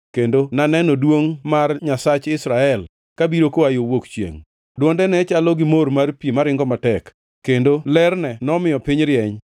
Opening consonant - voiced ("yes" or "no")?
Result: no